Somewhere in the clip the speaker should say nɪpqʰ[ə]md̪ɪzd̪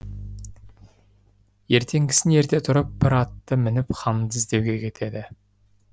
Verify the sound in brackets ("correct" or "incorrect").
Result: incorrect